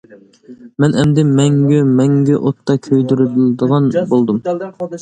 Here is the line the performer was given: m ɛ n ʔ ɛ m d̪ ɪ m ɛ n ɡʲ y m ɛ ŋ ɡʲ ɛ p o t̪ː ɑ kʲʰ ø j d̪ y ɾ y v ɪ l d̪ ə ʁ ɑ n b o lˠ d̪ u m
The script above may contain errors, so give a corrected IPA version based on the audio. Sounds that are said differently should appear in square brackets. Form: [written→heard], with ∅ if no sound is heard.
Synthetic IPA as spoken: m ɛ n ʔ ɛ m d̪ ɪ m ɛ [n→ŋ] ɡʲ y m ɛ ŋ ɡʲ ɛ [p→ʔ] o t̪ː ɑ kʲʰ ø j d̪ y ɾ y [v→b] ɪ l d̪ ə ʁ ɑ n b o lˠ d̪ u m